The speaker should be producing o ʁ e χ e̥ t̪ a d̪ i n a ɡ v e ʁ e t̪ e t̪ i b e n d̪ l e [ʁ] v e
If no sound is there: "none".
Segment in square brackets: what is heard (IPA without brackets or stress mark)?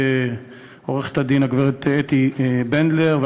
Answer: ʁ